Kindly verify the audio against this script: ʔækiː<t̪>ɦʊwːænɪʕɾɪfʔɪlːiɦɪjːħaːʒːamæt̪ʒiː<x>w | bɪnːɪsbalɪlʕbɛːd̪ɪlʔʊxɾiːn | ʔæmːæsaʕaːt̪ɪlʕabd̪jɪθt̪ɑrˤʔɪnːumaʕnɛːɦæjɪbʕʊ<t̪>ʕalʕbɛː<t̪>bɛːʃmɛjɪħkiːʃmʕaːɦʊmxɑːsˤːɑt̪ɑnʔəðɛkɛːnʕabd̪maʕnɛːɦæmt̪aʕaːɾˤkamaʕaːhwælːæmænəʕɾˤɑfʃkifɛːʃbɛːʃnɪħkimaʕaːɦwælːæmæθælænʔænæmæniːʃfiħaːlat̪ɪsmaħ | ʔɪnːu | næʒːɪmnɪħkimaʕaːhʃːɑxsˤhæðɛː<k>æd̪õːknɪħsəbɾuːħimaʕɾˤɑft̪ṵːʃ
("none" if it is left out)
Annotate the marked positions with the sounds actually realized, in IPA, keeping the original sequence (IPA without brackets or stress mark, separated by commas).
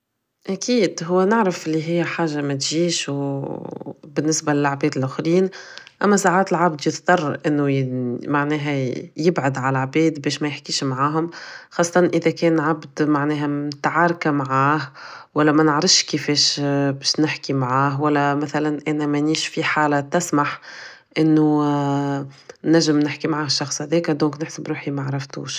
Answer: d̪, ʃ, d̪, d̪, k